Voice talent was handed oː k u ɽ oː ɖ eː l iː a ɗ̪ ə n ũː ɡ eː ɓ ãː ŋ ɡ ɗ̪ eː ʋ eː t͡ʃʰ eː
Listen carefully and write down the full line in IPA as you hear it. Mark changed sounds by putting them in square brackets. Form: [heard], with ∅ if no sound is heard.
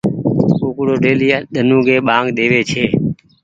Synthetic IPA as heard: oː k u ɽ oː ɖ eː l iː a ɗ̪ ə n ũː ɡ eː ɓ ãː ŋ ɡ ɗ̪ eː ʋ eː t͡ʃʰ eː